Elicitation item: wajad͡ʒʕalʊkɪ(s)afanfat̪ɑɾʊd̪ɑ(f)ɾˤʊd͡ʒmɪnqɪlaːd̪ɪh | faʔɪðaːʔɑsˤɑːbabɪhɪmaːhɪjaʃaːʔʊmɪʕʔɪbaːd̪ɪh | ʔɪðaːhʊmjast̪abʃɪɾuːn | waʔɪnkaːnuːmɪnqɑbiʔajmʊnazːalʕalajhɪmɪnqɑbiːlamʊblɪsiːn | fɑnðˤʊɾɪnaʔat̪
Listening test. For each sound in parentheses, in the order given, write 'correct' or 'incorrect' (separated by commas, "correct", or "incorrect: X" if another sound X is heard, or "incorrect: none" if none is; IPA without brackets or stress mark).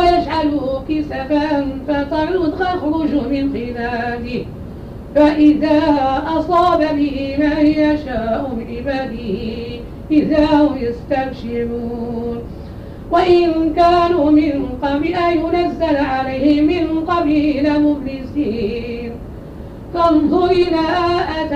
correct, incorrect: x